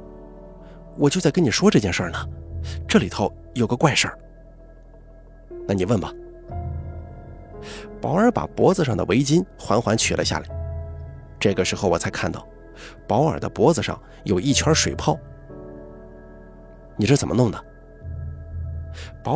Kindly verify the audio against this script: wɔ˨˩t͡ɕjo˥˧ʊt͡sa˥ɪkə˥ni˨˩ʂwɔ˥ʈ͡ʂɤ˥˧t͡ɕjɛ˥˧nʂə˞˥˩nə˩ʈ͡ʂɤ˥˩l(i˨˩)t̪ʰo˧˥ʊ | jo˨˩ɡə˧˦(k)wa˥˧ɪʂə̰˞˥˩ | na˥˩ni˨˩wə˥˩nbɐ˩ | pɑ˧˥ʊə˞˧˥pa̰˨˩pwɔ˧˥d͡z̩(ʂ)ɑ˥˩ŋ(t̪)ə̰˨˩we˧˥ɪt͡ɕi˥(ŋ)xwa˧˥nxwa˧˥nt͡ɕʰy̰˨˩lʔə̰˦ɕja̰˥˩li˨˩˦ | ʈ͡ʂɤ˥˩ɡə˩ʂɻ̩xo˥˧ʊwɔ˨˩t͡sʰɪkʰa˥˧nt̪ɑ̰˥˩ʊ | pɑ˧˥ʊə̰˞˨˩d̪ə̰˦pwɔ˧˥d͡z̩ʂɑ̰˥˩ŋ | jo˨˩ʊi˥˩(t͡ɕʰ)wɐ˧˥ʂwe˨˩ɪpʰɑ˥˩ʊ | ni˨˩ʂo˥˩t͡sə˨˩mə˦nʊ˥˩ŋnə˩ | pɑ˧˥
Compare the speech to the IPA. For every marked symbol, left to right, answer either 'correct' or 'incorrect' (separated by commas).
correct, correct, correct, incorrect, incorrect, correct